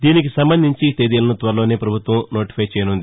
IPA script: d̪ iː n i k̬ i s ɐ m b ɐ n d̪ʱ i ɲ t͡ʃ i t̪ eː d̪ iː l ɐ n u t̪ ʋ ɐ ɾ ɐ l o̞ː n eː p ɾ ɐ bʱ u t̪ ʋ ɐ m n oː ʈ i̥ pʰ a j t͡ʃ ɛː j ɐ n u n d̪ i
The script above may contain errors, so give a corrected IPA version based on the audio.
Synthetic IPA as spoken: d̪ iː n i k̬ i s ɐ m b ɐ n d̪ʱ i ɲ t͡ʃ i t̪ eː d̪ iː l ɐ n u t̪ ʋ ɐ ɾ ɐ l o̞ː n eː p ɾ ɐ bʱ u t̪ ʋ ɐ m n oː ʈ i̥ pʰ ɐ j t͡ʃ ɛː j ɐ n u n d̪ i